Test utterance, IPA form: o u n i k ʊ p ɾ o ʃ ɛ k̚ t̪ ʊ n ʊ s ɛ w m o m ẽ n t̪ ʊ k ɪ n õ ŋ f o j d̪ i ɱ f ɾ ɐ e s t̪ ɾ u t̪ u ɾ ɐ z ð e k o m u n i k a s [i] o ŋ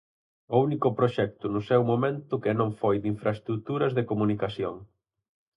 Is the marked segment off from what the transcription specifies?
yes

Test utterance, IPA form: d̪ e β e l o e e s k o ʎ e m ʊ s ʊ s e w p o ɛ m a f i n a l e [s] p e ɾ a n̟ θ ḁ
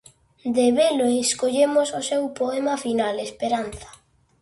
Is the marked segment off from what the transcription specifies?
no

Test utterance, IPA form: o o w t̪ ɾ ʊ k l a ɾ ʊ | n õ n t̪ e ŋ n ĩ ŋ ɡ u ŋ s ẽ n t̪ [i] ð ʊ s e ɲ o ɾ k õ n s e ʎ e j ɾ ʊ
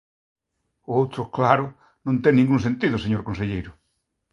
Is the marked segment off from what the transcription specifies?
no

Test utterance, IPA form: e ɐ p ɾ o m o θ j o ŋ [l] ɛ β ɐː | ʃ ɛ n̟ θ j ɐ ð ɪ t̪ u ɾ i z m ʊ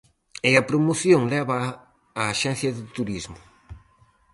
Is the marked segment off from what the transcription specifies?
no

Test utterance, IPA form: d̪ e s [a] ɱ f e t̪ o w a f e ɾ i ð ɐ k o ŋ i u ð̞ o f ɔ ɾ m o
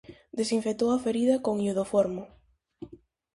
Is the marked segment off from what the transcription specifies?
yes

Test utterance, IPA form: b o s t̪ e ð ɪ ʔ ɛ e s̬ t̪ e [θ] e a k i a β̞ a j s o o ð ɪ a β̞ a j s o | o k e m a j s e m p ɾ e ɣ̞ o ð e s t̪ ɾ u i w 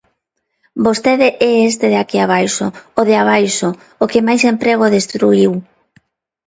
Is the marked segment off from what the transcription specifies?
yes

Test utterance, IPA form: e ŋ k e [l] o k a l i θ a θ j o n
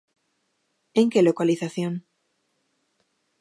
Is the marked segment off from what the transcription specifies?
no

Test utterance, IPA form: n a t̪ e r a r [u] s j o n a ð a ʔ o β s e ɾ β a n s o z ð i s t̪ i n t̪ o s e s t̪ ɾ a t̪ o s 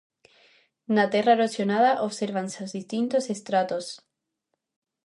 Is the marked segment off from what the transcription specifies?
yes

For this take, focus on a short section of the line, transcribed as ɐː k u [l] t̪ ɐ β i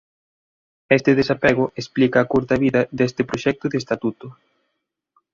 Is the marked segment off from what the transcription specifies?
yes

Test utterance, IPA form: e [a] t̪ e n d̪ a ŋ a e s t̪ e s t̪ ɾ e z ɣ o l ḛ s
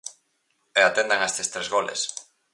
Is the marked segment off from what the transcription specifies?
no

